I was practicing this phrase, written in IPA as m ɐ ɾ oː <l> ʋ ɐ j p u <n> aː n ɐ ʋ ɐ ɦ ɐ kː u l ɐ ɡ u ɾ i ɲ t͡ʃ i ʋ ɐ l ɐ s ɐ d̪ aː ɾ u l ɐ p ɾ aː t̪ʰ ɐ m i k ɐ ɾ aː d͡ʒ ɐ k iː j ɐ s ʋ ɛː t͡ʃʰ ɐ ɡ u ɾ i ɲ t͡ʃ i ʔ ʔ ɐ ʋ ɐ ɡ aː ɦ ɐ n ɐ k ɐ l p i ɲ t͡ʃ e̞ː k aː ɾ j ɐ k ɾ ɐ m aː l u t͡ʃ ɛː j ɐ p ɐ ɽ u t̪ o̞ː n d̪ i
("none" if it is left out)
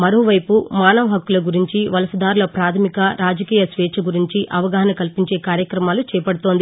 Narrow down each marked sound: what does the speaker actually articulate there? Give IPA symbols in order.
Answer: none, m

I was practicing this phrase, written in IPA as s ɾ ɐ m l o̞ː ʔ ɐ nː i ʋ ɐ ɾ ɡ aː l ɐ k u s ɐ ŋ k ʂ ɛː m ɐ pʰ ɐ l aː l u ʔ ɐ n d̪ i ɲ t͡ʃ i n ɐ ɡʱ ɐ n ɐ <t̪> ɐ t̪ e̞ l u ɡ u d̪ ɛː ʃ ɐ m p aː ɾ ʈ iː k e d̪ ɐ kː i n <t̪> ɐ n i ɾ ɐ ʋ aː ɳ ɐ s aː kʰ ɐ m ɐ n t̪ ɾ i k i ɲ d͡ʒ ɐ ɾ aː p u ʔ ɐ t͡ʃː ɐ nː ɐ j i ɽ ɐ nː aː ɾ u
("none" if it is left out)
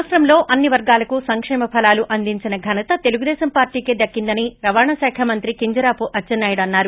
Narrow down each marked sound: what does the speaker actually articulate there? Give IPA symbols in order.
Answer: t̪, d̪

